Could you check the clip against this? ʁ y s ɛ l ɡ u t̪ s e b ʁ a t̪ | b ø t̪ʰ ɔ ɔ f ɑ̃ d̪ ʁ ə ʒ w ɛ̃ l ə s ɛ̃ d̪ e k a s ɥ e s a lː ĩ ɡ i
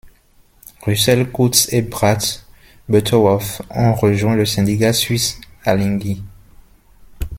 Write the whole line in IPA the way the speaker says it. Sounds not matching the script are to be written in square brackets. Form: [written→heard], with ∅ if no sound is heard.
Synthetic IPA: ʁ y s ɛ l [ɡ→k] u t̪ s e b ʁ a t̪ | b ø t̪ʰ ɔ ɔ f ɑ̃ [d̪→∅] ʁ ə ʒ w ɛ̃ l ə s ɛ̃ d̪ [e→i] k a s ɥ [e→i] s a [lː→l] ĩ ɡ i